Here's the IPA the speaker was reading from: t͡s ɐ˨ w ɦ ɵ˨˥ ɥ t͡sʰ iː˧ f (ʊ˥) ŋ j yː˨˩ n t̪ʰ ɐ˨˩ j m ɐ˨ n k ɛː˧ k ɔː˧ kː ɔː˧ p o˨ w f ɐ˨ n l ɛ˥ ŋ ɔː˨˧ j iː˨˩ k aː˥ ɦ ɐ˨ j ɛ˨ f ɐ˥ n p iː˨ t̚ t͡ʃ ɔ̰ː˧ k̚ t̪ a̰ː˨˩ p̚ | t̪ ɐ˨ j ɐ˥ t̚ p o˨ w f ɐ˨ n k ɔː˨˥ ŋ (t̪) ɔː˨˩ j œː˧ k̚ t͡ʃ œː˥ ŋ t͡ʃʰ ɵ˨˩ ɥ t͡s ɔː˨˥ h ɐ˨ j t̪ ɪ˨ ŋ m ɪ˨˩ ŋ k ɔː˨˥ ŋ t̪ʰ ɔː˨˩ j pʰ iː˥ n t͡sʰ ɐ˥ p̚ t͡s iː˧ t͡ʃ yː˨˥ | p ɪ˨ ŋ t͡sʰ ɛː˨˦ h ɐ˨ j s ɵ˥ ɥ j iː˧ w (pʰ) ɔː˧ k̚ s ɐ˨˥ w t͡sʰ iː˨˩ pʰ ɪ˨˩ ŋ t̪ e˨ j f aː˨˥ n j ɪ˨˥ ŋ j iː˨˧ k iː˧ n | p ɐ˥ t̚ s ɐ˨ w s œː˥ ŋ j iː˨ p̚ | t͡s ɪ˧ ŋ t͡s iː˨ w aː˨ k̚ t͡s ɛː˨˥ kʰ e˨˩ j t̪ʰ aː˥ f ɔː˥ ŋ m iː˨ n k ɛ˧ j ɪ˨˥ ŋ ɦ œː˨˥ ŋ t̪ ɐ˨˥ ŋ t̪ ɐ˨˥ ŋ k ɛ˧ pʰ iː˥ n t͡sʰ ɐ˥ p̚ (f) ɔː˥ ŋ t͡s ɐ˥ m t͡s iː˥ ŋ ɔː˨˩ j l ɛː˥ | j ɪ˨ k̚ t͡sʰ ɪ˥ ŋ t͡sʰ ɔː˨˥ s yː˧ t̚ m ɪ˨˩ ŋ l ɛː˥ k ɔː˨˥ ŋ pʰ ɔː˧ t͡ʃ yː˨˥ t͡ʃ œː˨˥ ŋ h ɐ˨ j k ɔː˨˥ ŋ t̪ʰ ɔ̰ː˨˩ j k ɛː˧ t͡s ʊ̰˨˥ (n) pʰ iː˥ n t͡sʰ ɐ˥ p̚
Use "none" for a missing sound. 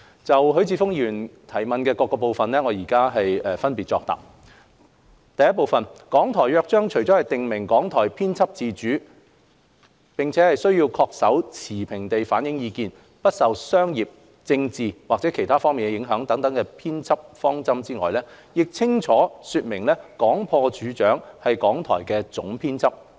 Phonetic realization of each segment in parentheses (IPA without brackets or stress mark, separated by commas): ʊ˥, t̪ʰ, kʰ, f, ŋ